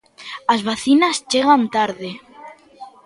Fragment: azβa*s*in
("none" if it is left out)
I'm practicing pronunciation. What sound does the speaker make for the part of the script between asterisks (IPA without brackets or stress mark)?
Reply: θ